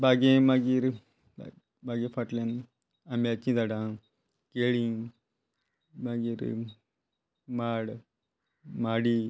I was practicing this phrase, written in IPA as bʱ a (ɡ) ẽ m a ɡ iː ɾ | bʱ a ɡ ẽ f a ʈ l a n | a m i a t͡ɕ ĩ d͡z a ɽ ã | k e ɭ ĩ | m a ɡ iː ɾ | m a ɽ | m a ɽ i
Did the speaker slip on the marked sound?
no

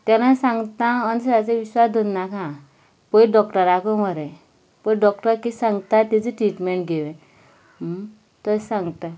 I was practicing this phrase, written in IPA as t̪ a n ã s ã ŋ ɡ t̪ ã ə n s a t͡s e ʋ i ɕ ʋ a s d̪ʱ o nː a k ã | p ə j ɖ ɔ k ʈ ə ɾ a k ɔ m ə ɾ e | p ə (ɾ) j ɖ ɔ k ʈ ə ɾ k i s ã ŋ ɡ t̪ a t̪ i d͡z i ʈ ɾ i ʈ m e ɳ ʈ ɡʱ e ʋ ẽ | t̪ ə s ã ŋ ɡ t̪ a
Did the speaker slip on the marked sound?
yes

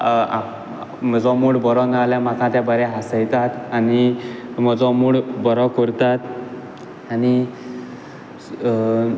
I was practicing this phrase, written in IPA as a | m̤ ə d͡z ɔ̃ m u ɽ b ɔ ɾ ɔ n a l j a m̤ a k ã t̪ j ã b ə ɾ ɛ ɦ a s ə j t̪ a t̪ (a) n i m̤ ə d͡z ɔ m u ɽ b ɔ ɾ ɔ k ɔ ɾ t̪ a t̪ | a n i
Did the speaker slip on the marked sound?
no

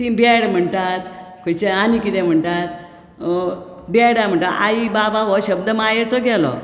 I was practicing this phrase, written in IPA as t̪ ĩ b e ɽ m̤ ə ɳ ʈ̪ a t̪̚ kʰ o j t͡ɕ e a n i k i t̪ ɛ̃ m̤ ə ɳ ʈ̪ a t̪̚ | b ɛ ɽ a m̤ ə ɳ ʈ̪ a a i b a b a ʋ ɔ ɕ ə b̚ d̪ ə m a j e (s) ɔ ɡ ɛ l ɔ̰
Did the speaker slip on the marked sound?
yes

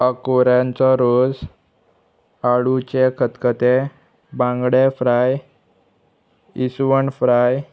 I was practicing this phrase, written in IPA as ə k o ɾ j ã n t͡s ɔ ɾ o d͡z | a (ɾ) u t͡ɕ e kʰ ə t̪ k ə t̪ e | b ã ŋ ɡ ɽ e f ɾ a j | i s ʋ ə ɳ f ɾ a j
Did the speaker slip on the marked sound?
yes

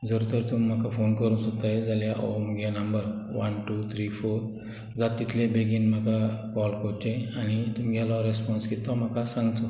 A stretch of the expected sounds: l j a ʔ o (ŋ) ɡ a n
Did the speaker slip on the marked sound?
yes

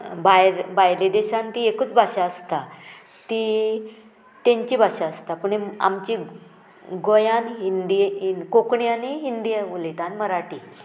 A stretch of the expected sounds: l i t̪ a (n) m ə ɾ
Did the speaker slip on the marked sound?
no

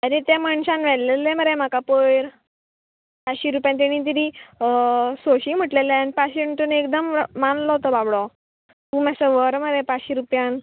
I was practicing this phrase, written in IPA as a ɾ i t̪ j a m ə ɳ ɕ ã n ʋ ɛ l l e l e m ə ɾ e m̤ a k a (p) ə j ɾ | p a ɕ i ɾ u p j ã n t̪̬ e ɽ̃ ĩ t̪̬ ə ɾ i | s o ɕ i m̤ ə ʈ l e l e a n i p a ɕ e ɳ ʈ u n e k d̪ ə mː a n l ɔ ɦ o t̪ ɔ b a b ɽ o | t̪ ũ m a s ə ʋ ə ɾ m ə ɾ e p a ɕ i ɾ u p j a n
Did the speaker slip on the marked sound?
no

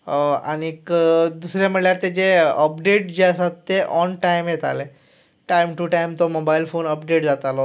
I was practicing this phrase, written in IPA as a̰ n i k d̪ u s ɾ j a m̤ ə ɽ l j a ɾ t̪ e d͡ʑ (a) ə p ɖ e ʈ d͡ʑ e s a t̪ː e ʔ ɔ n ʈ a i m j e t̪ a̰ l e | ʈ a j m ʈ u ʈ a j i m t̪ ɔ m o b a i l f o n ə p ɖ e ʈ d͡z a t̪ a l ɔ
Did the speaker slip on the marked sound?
yes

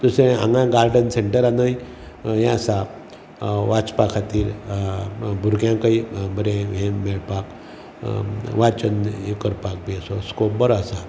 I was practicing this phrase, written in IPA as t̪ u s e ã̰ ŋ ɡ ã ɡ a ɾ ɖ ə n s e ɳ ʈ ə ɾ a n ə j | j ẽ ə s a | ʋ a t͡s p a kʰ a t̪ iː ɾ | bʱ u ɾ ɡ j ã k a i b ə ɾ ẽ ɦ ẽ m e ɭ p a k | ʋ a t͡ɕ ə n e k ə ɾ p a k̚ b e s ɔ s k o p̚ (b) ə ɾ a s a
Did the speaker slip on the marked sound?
no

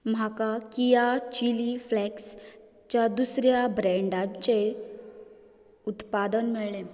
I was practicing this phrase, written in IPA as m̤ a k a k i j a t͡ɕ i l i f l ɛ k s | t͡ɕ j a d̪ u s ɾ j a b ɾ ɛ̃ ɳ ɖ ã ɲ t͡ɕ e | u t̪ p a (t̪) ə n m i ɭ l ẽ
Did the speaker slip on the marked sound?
yes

